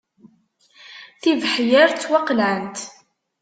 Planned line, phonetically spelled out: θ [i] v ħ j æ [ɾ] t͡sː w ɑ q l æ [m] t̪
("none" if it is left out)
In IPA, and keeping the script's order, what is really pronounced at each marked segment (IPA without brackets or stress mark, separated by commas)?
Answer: i, ɾ, n